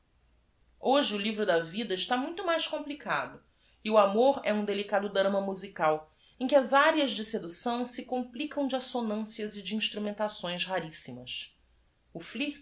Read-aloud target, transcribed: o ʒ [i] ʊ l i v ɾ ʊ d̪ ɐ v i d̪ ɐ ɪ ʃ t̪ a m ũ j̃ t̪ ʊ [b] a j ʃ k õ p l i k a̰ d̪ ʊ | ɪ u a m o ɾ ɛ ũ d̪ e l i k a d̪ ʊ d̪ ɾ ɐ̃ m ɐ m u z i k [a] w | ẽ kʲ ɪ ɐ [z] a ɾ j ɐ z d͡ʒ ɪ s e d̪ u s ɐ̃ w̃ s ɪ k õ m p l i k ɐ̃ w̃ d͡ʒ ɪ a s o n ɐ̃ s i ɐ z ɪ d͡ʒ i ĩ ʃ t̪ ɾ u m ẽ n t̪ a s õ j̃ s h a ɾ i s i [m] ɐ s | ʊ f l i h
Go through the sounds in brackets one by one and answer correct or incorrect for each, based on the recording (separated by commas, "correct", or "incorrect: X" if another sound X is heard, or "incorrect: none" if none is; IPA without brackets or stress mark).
incorrect: ɪ, incorrect: m, correct, correct, correct